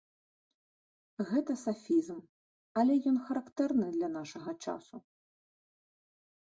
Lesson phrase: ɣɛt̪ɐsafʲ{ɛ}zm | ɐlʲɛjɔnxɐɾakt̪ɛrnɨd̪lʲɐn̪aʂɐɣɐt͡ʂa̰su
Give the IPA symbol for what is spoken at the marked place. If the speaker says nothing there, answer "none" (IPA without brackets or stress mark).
i